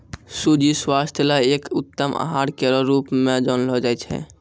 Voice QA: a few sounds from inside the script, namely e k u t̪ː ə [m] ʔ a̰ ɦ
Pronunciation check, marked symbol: correct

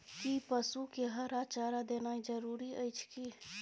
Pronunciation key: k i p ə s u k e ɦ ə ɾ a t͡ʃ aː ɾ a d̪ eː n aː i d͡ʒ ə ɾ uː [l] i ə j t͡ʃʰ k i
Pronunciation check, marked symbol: incorrect: ɾ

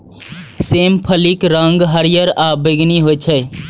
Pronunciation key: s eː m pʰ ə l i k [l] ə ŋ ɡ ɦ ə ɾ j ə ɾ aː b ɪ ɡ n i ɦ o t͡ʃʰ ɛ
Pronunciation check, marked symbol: incorrect: ɾ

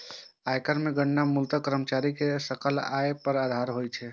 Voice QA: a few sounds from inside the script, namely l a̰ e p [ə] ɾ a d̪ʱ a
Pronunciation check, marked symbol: correct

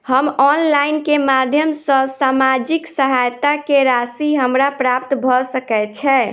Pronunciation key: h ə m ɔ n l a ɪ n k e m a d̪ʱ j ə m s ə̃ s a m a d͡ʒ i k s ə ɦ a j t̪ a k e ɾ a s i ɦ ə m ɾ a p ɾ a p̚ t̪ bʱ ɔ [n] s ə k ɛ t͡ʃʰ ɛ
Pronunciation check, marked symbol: incorrect: none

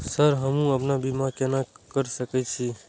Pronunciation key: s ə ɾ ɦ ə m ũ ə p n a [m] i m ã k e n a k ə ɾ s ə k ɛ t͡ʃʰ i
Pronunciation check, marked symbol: incorrect: b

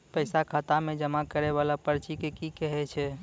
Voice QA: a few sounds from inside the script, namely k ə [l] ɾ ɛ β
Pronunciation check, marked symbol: incorrect: none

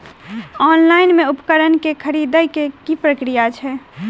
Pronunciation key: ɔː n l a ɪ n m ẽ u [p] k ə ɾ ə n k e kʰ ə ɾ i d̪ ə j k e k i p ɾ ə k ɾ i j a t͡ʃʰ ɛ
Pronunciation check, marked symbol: correct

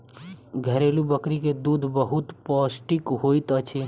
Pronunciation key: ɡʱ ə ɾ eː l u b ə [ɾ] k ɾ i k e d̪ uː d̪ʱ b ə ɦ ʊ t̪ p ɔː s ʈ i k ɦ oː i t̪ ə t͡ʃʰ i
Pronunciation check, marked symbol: incorrect: none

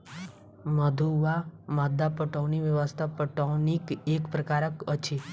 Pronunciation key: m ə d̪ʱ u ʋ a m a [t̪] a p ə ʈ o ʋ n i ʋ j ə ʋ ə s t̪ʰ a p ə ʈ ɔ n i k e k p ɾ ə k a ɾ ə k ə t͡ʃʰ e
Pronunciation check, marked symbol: incorrect: d̪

